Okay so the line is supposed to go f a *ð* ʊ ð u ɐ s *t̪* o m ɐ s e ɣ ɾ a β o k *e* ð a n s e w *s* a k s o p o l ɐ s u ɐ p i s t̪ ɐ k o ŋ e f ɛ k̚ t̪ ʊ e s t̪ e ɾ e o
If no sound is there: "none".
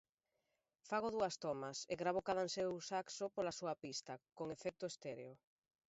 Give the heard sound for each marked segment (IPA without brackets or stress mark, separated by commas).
ɣ, t̪, a, s